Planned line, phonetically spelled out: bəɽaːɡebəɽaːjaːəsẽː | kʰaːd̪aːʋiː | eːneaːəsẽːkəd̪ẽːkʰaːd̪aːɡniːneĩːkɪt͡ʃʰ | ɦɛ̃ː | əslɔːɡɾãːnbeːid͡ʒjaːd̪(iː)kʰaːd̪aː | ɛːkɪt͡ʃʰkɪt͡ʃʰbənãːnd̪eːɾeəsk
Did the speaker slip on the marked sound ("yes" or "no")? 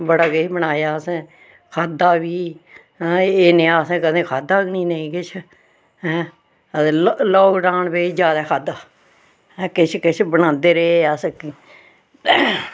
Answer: yes